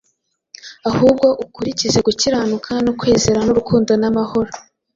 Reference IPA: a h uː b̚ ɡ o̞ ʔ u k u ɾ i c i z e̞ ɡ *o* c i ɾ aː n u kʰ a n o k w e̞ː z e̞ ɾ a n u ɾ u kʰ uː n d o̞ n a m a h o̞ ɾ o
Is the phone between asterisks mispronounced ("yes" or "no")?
yes